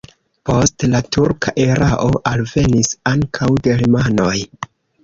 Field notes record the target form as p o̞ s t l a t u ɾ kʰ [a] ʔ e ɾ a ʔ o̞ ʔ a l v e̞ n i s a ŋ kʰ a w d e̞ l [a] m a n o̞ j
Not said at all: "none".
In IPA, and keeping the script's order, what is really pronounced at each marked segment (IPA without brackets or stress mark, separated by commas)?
a, i